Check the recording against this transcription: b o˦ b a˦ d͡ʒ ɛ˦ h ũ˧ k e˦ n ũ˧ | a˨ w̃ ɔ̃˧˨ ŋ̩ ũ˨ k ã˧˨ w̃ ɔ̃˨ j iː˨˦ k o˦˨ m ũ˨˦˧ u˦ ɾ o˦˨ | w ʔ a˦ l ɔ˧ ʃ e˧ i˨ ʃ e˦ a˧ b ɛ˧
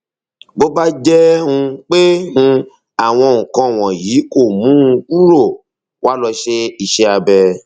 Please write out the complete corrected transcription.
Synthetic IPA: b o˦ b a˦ d͡ʒ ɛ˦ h ũ˧ k͡p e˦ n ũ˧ | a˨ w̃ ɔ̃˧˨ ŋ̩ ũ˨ k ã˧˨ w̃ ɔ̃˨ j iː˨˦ k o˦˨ m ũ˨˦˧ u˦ ɾ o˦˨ | w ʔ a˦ l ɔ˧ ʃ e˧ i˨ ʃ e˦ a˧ b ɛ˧